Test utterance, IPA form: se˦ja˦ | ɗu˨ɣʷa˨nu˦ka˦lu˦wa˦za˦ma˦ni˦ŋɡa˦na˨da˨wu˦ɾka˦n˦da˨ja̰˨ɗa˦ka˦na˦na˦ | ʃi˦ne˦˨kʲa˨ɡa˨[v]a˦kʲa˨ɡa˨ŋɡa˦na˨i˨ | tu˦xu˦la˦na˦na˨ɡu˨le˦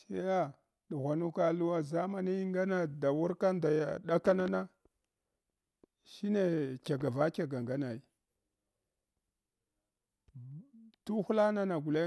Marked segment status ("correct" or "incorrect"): correct